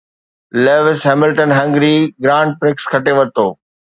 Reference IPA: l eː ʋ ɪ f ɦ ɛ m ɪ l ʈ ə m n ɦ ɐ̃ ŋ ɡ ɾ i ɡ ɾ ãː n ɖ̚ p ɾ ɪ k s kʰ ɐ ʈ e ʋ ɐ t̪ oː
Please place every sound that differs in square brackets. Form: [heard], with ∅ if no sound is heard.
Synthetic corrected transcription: l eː ʋ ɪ [s] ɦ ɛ m ɪ l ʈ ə [∅] n ɦ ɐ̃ ŋ ɡ ɾ i ɡ ɾ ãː [ɳ] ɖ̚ p ɾ ɪ k s kʰ ɐ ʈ e ʋ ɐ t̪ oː